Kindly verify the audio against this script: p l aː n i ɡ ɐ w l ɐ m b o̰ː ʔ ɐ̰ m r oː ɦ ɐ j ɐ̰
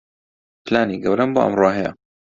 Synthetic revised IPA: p l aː n i ɡ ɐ w ɾ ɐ m b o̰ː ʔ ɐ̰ m r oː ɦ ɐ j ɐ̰